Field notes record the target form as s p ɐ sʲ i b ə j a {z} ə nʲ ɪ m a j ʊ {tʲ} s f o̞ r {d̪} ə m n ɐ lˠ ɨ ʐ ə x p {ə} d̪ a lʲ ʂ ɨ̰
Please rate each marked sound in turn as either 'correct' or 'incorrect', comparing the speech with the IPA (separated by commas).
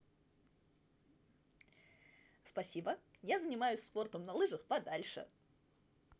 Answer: correct, incorrect, incorrect, incorrect